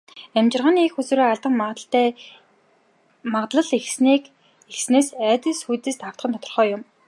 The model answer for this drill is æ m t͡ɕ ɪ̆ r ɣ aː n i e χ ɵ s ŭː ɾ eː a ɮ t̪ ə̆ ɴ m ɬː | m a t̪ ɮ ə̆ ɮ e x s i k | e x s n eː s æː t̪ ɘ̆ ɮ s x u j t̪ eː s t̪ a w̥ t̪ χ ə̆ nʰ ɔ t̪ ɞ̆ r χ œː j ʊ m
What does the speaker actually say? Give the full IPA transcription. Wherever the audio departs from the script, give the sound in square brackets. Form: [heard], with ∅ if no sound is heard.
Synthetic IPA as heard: æ m t͡ɕ ɪ̆ r [ʁ] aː n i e [x] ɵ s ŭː ɾ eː a ɮ t̪ ə̆ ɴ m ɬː | m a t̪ ɮ ə̆ ɮ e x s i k | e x s n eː s æː t̪ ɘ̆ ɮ s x u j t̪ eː s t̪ a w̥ t̪ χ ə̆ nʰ ɔ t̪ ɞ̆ r χ œː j ʊ m